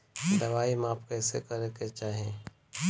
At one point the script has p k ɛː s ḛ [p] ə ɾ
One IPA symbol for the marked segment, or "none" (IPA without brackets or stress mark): k